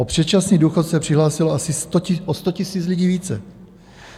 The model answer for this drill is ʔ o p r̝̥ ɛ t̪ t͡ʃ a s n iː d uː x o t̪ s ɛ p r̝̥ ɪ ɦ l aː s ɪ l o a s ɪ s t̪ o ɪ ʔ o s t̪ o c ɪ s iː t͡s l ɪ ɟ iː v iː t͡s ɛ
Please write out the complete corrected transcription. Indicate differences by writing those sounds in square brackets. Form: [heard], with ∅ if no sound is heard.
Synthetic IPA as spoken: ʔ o p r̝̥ ɛ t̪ t͡ʃ a s n iː d uː x o t̪ s ɛ p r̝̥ ɪ ɦ l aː s ɪ l o a s ɪ s t̪ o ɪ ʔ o s t̪ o c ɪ s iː t͡s l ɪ ɟ iː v iː t͡s ɛ